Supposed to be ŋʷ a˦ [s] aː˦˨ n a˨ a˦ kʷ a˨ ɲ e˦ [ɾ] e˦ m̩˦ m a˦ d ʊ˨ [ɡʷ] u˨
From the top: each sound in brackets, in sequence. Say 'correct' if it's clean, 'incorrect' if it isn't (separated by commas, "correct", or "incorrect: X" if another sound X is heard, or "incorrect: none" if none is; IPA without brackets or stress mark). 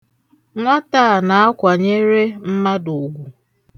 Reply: incorrect: t, correct, correct